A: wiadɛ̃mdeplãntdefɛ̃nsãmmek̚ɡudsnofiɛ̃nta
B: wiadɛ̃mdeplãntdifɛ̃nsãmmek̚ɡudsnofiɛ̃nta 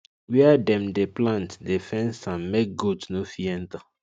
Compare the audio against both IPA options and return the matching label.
A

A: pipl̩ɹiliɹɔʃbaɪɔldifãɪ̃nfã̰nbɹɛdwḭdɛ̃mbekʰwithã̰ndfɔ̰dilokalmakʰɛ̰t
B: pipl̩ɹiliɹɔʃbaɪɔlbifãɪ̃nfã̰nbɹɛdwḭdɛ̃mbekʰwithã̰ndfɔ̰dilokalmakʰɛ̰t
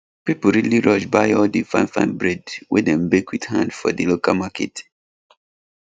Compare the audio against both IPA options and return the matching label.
A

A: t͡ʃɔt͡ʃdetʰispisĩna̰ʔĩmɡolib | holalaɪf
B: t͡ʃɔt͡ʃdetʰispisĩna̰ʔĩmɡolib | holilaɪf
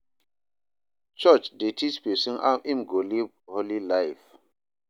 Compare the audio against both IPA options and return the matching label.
B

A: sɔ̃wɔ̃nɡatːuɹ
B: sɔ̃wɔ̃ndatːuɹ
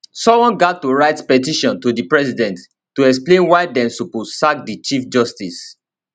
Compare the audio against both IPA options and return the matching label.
A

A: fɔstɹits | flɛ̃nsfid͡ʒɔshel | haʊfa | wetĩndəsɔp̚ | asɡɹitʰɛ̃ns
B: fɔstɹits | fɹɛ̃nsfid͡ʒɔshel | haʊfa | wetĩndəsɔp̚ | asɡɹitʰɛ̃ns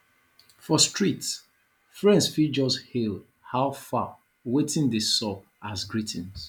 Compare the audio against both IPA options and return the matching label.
B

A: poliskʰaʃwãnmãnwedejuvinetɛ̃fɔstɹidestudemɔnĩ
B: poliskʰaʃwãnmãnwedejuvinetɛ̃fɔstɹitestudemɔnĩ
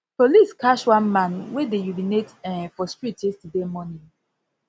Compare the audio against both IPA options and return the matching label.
B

